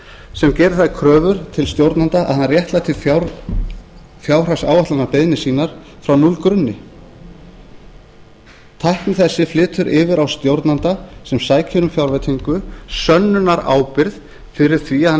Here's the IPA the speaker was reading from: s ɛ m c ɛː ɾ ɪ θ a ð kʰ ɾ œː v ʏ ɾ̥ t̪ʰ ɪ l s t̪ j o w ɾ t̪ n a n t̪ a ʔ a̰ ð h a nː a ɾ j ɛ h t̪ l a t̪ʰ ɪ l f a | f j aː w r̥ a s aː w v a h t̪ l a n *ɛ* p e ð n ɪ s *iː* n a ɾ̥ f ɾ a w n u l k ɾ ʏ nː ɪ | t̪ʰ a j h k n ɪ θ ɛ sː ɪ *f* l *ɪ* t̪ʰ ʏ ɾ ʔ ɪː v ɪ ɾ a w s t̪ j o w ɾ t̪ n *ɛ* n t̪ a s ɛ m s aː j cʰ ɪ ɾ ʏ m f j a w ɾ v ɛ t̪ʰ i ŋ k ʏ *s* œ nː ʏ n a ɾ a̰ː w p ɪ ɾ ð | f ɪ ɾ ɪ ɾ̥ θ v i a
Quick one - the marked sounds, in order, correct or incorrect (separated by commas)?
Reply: incorrect, correct, correct, incorrect, incorrect, correct